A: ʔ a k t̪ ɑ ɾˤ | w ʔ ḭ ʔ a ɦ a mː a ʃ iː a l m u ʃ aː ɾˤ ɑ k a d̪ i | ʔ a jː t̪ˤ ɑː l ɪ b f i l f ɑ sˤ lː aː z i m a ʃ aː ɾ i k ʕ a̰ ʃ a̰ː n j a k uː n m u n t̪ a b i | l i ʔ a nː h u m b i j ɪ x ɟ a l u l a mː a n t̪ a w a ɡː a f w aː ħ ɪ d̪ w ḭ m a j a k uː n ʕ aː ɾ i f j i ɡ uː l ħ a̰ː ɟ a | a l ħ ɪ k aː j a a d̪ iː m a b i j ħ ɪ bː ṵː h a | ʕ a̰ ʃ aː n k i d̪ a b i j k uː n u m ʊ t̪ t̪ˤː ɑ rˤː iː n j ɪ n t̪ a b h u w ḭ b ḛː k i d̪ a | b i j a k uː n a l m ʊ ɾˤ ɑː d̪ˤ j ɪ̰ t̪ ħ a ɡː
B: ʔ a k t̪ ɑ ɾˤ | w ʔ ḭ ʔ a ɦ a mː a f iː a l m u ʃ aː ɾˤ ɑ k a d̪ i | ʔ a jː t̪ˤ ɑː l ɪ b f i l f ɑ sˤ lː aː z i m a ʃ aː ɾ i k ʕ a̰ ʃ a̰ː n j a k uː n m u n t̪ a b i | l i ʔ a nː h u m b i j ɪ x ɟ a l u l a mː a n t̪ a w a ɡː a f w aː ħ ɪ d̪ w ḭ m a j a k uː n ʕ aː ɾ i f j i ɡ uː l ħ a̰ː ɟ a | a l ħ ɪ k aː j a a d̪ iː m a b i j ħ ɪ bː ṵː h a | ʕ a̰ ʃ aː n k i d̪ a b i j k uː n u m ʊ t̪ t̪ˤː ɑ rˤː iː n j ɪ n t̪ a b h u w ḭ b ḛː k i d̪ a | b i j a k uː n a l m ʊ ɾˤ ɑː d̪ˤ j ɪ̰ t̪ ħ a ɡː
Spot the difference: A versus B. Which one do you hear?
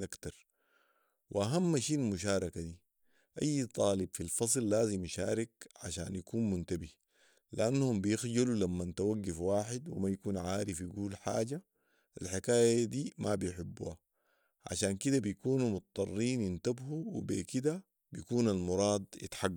A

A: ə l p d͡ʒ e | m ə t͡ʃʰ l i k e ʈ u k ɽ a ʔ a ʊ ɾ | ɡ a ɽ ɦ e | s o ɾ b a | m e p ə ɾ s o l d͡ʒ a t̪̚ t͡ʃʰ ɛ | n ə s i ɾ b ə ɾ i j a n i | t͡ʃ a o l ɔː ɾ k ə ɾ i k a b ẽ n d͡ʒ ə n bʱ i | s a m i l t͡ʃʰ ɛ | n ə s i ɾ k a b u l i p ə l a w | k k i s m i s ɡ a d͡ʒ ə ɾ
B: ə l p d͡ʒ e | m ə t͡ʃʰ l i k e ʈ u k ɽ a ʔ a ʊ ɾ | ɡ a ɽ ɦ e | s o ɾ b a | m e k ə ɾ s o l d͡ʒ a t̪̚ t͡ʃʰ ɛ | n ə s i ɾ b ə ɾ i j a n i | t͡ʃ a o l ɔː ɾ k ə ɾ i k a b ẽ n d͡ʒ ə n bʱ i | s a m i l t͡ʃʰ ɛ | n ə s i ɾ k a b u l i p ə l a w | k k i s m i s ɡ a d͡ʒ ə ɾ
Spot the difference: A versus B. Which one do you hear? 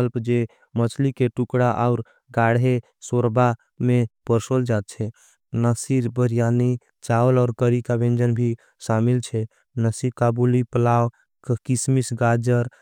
A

